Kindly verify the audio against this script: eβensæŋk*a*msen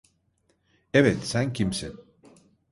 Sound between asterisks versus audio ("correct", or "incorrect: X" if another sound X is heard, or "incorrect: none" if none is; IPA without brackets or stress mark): incorrect: i